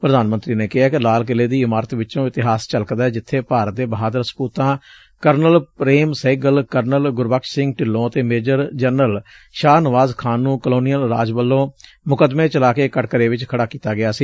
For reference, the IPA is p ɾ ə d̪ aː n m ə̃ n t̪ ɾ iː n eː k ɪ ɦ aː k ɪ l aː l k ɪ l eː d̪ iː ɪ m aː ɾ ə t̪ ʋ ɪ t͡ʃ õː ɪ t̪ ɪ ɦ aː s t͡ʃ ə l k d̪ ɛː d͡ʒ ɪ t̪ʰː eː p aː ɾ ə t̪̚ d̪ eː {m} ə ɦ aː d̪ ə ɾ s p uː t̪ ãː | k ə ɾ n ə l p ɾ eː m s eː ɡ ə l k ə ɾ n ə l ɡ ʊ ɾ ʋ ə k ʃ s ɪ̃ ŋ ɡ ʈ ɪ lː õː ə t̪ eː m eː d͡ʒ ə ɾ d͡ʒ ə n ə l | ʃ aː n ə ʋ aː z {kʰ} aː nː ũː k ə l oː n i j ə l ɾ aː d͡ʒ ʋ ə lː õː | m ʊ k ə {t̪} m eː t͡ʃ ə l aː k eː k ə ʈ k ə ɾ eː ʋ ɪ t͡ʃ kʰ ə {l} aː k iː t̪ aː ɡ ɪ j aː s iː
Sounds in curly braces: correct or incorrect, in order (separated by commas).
incorrect, correct, incorrect, incorrect